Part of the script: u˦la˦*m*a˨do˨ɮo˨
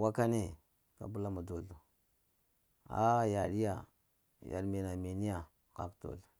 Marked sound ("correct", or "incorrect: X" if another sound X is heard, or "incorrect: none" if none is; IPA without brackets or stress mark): correct